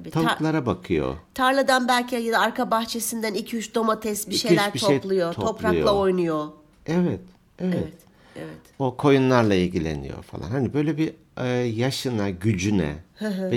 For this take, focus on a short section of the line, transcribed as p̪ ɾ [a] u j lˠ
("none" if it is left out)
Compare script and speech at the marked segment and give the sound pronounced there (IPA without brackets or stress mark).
a